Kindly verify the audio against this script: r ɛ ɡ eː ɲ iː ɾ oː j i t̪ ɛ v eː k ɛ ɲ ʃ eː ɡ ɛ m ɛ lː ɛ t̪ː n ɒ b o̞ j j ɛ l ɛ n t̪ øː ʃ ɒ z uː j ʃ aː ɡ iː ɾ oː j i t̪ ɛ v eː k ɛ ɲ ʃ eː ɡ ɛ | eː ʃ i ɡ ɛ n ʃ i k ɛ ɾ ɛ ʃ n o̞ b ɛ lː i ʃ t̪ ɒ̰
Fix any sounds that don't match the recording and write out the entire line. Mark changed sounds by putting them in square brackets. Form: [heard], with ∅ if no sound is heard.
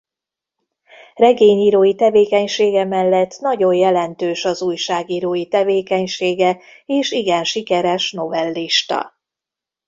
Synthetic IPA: r ɛ ɡ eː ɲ iː ɾ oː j i t̪ ɛ v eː k ɛ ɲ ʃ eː ɡ ɛ m ɛ lː ɛ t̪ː n ɒ [ɟ] o̞ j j ɛ l ɛ n t̪ øː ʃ ɒ z uː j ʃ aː ɡ iː ɾ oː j i t̪ ɛ v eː k ɛ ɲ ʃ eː ɡ ɛ | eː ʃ i ɡ ɛ n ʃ i k ɛ ɾ ɛ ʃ n o̞ [v] ɛ lː i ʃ t̪ ɒ̰